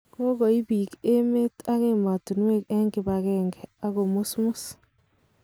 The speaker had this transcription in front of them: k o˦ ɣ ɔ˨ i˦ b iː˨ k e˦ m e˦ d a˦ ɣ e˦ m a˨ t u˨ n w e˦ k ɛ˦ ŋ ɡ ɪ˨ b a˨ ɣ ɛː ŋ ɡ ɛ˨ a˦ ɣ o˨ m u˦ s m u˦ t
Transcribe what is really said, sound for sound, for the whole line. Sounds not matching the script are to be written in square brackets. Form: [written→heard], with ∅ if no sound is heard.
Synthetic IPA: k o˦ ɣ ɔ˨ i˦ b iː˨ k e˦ m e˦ [d→t] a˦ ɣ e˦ m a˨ t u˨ n w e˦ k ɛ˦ ŋ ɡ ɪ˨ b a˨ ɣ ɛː ŋ ɡ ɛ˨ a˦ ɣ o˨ m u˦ s m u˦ [t→s]

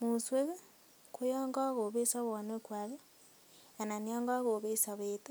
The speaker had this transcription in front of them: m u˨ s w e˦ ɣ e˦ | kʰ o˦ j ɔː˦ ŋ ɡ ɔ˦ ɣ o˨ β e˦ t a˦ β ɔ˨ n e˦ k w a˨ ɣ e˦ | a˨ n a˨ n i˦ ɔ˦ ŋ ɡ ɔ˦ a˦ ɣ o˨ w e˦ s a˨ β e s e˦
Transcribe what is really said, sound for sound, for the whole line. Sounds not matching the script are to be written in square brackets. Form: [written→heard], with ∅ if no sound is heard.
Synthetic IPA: m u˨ s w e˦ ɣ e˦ | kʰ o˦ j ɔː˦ ŋ ɡ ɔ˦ ɣ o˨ β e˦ [t→s] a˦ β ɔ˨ n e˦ k w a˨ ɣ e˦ | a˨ n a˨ n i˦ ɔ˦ ŋ ɡ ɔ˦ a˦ ɣ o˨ [w→β] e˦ s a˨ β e [s→t] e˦

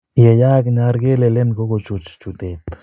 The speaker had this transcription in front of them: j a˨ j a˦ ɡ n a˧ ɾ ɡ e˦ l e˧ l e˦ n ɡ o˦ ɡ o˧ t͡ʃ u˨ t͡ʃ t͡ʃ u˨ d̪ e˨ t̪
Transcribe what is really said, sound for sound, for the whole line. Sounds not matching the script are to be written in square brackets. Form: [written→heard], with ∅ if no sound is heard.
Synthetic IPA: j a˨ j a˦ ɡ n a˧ ɾ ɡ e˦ l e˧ l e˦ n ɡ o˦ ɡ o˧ t͡ʃ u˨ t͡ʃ t͡ʃ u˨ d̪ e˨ t̪

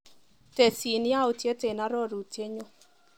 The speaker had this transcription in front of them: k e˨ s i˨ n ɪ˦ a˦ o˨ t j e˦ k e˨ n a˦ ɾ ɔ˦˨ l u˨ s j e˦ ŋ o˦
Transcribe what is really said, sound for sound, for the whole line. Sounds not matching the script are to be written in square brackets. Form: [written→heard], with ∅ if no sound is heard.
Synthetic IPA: [k→t] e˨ s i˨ n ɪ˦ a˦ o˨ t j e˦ [k→t] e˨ n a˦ ɾ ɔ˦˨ [l→ɾ] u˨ [s→t] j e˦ [ŋ→ɲ] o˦

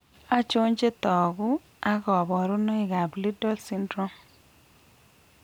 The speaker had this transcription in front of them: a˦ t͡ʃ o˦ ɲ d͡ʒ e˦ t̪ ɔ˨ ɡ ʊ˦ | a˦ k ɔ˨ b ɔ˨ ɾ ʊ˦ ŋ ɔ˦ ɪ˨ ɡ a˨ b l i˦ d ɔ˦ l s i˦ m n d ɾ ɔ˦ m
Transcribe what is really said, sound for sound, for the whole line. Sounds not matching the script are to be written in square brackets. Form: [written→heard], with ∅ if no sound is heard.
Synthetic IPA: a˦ t͡ʃ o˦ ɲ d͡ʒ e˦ t̪ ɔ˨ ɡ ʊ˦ | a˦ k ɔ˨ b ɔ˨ ɾ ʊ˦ [ŋ→n] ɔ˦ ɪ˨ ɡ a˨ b l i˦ d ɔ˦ l s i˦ [m→∅] n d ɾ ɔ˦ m

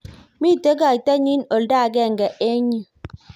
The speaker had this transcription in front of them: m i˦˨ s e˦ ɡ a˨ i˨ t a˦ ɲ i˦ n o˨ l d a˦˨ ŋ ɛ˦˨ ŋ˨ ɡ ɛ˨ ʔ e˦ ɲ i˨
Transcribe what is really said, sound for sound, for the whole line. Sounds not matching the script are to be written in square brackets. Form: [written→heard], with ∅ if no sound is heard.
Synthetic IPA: m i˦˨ [s→t] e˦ ɡ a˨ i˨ t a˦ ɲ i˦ n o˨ l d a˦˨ [ŋ→ɡ] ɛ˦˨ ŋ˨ ɡ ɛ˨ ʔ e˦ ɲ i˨

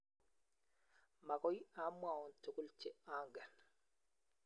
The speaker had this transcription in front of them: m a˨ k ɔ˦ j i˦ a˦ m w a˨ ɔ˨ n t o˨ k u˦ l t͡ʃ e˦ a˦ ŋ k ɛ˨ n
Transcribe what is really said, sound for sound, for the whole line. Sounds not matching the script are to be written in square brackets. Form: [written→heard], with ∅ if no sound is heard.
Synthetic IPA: m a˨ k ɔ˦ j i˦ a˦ m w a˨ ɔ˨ n t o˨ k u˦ l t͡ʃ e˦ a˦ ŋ [k→ɡ] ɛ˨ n

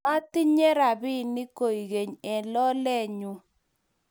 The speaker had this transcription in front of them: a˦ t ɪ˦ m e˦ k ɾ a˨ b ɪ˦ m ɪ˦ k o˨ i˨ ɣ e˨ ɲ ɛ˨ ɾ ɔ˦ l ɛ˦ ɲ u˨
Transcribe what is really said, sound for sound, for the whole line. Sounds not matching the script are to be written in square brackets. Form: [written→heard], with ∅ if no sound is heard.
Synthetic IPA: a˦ t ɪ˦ [m→ɲ] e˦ [k→∅] ɾ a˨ b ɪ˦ [m→n] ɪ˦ k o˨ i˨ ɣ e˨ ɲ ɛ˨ [ɾ→l] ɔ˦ l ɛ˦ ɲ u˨

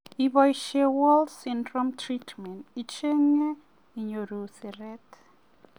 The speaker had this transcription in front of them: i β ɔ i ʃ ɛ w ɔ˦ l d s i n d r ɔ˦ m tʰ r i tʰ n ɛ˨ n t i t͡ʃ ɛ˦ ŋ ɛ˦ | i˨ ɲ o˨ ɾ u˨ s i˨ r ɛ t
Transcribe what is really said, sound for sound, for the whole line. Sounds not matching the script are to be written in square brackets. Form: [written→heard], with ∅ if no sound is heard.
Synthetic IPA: i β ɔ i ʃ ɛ w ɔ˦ l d s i n d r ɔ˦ m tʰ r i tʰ [n→m] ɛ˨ n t i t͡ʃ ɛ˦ ŋ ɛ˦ | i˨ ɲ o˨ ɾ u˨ s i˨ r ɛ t

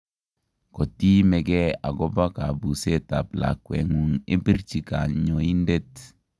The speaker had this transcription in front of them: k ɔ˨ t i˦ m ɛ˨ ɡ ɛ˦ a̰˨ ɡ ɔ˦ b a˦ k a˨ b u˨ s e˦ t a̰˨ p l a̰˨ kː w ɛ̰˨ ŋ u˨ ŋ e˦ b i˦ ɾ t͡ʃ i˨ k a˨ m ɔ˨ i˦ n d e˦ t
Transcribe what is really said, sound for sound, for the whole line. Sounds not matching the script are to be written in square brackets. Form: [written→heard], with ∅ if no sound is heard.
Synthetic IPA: k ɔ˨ t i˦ m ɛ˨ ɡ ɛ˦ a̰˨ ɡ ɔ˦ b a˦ k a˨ b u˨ s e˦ t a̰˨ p l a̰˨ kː w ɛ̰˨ ŋ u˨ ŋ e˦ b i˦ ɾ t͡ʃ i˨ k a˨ [m→ɲ] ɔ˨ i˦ n d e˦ t

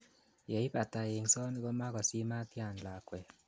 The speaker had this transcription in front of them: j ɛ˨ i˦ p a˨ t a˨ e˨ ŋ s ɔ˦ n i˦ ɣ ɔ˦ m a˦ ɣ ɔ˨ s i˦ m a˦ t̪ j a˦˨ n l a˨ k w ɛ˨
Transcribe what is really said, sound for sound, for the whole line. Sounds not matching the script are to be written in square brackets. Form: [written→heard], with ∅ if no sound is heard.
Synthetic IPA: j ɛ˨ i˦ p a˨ t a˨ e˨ ŋ s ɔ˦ n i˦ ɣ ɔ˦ m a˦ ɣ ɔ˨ s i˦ m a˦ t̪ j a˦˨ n l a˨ k w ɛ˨

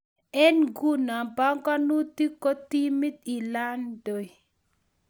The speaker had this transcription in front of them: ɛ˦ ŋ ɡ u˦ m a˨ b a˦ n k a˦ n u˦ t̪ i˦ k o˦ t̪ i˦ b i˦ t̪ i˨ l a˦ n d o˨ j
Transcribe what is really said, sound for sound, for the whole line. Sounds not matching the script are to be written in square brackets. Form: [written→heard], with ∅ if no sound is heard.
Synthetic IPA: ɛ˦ [ŋ→n] ɡ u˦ [m→n] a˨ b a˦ [n→ŋ] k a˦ n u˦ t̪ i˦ k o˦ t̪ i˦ [b→m] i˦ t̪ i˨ l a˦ n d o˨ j

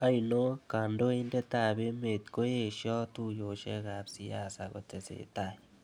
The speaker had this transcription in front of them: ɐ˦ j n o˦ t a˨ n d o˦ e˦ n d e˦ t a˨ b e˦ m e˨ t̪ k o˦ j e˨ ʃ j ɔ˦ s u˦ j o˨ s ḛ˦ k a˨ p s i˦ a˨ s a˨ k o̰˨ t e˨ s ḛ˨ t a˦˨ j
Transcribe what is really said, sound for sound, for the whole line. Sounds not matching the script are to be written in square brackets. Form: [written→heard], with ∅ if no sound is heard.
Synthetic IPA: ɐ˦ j n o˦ [t→k] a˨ n d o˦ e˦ n d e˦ t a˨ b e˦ m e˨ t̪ k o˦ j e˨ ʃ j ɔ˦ [s→t] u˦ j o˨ [s→ʃ] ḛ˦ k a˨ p s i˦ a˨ s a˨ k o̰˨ t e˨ s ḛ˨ t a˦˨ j

